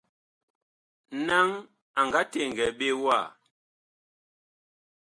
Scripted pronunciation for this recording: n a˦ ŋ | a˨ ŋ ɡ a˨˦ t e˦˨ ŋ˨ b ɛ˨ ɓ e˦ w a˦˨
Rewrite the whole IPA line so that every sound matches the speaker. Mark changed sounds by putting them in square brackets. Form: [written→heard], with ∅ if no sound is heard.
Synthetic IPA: n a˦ ŋ | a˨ ŋ ɡ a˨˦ t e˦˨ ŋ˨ [b→ɡ] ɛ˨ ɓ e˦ w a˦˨

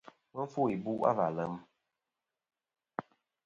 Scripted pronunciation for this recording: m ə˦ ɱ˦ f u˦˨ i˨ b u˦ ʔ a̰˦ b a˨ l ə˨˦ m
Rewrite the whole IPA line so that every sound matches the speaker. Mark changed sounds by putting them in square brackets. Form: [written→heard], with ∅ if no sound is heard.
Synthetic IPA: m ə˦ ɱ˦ f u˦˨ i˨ b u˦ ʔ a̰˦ [b→v] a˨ l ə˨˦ m

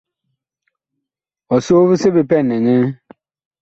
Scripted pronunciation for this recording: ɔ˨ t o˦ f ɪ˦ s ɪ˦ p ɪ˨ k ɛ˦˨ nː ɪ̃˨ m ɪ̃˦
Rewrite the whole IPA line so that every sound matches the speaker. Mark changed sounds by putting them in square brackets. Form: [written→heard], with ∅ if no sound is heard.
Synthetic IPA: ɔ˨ [t→s] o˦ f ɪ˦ s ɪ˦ [p→b] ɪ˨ [k→p] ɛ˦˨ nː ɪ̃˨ [m→ɲ] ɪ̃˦

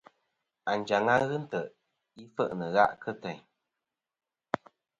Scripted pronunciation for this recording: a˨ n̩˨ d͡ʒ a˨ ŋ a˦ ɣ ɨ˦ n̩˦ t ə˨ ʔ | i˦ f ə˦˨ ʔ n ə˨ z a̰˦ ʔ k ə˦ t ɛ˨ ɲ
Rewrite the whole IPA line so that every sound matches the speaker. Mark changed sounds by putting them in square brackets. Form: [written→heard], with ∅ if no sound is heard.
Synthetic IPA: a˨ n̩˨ d͡ʒ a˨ ŋ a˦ ɣ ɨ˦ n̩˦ t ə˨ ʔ | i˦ f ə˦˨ ʔ n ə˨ [z→ɣ] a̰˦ ʔ k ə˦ t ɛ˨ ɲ

